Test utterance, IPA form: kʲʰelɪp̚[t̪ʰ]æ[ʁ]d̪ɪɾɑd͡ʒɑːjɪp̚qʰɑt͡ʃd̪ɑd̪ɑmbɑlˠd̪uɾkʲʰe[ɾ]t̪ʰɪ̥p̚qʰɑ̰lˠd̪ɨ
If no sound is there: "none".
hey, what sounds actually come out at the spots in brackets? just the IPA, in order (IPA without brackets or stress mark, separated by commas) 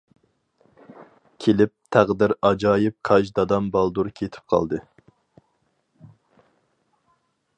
t̪ʰ, ʁ, none